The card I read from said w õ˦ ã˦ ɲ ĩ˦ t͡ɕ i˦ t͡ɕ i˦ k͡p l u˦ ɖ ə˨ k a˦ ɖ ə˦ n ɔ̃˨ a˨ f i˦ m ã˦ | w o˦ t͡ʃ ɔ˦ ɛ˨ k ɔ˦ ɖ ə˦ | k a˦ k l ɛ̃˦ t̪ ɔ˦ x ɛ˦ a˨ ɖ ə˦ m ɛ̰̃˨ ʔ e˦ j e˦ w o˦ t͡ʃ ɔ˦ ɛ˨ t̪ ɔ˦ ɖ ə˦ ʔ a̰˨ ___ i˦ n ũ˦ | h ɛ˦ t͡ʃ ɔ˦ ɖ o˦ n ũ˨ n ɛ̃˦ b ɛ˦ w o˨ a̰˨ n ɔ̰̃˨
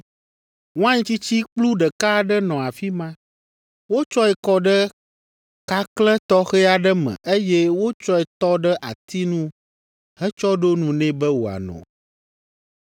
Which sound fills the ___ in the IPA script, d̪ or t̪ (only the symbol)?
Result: t̪